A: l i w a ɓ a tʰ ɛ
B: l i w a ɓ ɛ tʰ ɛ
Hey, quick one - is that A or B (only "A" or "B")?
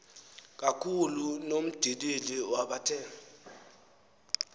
A